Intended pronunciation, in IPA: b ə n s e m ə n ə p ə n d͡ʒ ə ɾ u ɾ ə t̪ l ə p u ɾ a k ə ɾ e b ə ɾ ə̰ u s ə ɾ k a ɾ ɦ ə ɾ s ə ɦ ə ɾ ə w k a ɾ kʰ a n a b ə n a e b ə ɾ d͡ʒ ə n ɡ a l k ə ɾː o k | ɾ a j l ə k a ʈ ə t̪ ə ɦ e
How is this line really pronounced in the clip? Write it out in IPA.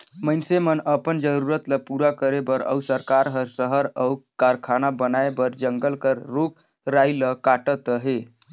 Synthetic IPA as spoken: m ə n s e m ə n ə p ə n d͡ʒ ə ɾ u ɾ ə t̪ l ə p u ɾ a k ə ɾ e b ə ɾ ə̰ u s ə ɾ k a ɾ ɦ ə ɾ s ə ɦ ə ɾ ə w k a ɾ kʰ a n a b ə n a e b ə ɾ d͡ʒ ə ŋ ɡ ə l k ə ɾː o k | ɾ a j l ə k a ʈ ə t̪ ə ɦ e